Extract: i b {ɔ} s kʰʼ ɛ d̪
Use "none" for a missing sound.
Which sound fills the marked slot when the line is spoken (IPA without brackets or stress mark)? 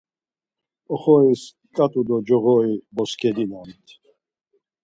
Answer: ɔ